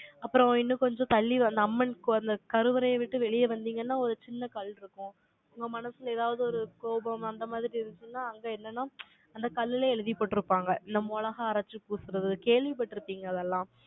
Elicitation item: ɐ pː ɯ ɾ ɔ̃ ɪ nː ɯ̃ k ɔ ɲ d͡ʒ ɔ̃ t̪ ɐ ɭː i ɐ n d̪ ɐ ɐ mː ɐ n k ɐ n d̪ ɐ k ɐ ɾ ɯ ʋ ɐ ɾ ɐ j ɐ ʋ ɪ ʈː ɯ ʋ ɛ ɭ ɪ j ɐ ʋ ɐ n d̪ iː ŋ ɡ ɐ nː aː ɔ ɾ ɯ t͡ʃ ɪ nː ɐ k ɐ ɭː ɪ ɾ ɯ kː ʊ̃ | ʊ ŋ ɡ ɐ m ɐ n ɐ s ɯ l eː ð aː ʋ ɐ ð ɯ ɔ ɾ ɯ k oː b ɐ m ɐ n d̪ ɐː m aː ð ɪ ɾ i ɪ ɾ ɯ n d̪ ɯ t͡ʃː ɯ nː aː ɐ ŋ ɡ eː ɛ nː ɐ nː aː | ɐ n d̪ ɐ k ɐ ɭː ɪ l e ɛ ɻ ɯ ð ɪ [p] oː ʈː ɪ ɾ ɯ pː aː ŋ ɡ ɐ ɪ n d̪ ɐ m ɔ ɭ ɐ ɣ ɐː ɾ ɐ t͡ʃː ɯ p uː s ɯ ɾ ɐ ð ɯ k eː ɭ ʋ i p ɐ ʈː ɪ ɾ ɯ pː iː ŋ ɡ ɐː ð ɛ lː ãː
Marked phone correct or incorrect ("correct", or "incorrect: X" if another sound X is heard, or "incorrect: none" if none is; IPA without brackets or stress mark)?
correct